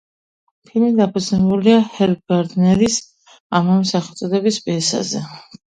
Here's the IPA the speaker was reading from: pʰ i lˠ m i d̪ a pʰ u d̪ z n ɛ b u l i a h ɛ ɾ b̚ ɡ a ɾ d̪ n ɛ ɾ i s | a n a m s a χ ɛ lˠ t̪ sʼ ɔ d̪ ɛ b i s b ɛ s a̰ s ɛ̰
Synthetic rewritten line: pʰ i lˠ m i d̪ a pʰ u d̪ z n ɛ b u l i a h ɛ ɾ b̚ ɡ a ɾ d̪ n ɛ ɾ i s | a m a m s a χ ɛ lˠ t̪ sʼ ɔ d̪ ɛ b i s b ɛ s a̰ z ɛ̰